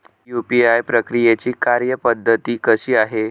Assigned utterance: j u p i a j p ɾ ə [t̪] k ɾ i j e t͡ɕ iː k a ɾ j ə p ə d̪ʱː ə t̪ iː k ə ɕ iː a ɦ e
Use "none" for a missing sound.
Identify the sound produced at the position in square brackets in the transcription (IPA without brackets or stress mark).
none